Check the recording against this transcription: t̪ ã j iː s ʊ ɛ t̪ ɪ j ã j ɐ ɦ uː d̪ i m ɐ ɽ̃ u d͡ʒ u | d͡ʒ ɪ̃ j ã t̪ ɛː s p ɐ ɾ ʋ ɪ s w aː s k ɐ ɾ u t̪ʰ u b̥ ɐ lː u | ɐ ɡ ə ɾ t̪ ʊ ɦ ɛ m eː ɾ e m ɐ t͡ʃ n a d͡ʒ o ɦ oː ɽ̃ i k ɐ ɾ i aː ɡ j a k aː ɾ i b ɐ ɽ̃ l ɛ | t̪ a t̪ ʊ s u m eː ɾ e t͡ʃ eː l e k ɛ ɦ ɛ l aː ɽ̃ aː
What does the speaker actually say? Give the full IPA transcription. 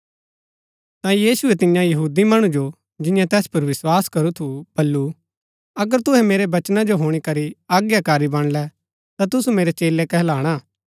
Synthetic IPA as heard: t̪ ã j iː s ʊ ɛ t̪ ɪ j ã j ɐ ɦ uː d̪ i m ɐ ɽ̃ u d͡ʒ o | d͡ʒ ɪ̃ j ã t̪ ɛː s p ɐ ɾ ʋ ɪ s w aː s k ɐ ɾ u t̪ʰ u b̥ ɐ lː u | ɐ ɡ ə ɾ t̪ ʊ ɦ ɛ m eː ɾ e b ɐ t͡ʃ n a d͡ʒ o ɦ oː ɽ̃ i k ɐ ɾ i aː ɡ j a k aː ɾ i b ɐ ɽ̃ l ɛ | t̪ a t̪ ʊ s u m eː ɾ e t͡ʃ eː l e k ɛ ɦ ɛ l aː ɽ̃ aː